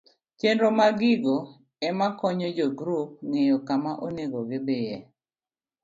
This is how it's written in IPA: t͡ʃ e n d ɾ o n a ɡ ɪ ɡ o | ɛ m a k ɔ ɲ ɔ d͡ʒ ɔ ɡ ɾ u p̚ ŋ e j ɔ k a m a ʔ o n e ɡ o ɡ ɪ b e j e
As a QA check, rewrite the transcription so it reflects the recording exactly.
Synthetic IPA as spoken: t͡ʃ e n d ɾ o m a ɡ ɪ ɡ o | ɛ m a k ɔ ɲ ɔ d͡ʒ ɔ ɡ ɾ u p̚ ŋ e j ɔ k a m a ʔ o n e ɡ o ɡ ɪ b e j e